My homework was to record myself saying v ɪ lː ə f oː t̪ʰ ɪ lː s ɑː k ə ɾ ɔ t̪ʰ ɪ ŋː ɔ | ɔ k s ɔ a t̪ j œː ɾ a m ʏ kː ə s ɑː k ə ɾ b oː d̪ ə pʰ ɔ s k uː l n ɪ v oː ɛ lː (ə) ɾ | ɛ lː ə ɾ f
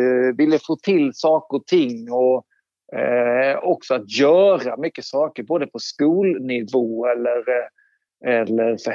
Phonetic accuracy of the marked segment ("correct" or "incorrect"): correct